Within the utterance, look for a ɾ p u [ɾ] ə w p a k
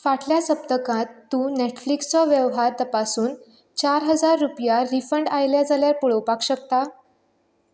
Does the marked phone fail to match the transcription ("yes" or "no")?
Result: yes